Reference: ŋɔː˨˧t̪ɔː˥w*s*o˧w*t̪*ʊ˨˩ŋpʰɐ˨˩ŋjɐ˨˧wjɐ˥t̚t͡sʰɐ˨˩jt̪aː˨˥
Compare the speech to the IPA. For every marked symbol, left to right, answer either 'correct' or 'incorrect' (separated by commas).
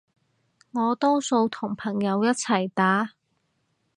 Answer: correct, incorrect